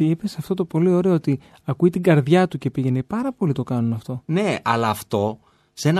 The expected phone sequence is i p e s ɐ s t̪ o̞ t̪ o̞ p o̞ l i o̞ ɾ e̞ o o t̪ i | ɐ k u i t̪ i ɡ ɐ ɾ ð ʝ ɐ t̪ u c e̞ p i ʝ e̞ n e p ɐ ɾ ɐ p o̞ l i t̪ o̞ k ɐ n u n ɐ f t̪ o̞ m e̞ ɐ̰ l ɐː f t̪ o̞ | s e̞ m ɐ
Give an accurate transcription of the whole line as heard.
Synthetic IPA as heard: i p e s ɐ f t̪ o̞ t̪ o̞ p o̞ l i o̞ ɾ e̞ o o t̪ i | ɐ k u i t̪ i ɡ ɐ ɾ ð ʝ ɐ t̪ u c e̞ p i ʝ e̞ n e p ɐ ɾ ɐ p o̞ l i t̪ o̞ k ɐ n u n ɐ f t̪ o̞ n e̞ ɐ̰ l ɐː f t̪ o̞ | s e̞ n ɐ